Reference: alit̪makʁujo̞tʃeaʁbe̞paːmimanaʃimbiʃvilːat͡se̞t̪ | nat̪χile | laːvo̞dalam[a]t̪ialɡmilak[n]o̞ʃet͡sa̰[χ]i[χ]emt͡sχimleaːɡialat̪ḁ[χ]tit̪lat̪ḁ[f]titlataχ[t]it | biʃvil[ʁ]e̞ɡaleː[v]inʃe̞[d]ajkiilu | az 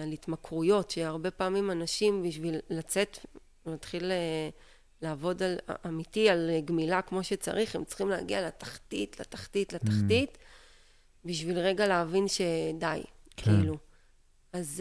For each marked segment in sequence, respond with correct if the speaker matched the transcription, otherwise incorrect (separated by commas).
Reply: incorrect, incorrect, incorrect, correct, correct, incorrect, correct, correct, correct, correct